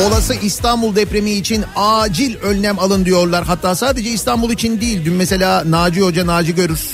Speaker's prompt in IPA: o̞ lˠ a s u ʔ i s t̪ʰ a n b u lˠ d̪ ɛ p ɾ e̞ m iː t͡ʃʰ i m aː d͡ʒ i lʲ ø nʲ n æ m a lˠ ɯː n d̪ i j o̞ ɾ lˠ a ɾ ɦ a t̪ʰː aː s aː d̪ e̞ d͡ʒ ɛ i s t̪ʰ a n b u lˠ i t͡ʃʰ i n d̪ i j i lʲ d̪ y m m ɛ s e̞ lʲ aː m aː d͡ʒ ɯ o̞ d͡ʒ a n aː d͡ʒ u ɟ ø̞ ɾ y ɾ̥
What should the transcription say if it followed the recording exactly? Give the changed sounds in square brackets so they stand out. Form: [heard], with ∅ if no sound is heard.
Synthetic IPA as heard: o̞ lˠ a s [ɯ] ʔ i s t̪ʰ a n b u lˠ d̪ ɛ p ɾ e̞ m iː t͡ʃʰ i [n] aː d͡ʒ i lʲ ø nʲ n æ m a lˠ [ɯ] n d̪ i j o̞ ɾ lˠ a ɾ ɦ a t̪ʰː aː s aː d̪ e̞ d͡ʒ ɛ i s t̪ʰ a n b u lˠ i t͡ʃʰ i n d̪ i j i lʲ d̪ y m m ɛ s e̞ lʲ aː [n] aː d͡ʒ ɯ o̞ d͡ʒ a n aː d͡ʒ [ɯ] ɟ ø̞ ɾ y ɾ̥